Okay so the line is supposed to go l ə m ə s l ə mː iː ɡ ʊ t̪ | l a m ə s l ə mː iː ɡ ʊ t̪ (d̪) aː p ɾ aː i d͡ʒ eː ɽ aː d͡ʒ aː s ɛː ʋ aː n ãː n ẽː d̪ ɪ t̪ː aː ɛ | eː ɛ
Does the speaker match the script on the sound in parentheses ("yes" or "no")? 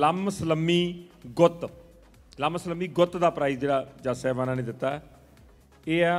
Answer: yes